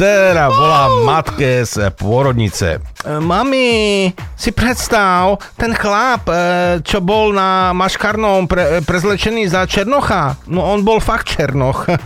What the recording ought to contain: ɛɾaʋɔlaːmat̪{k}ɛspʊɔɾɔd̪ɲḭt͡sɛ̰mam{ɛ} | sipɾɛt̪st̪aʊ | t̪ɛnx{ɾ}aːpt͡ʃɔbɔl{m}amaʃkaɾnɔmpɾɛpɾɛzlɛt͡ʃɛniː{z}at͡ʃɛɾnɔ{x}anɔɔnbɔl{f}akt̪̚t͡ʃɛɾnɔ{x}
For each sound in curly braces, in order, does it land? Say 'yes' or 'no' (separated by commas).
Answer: yes, no, no, no, yes, yes, yes, yes